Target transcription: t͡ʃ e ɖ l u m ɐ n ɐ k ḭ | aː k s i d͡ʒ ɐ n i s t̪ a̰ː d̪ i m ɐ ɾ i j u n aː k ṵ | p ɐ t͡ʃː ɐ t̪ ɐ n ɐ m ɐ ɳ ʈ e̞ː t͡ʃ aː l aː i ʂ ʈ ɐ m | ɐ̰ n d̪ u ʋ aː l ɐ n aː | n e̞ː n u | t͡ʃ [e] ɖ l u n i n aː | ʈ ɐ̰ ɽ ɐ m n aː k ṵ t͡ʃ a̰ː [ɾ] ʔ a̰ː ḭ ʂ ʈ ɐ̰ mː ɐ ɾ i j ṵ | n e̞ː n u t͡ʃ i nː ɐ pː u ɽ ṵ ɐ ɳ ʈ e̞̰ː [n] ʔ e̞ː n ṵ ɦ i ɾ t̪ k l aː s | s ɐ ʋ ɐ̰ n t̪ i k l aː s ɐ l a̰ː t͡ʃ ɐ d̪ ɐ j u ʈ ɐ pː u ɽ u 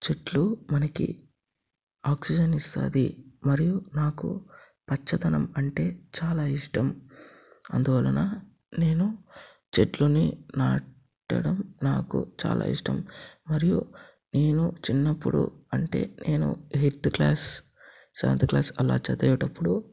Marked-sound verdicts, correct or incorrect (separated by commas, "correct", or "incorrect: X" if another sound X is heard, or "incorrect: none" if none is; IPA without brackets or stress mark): correct, incorrect: l, correct